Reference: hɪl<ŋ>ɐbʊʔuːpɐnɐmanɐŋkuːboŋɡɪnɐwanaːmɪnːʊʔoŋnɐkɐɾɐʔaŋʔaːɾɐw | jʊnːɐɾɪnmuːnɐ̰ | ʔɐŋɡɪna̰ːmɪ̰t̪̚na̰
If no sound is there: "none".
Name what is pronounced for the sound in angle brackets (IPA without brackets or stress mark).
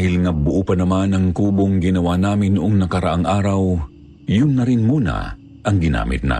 ŋ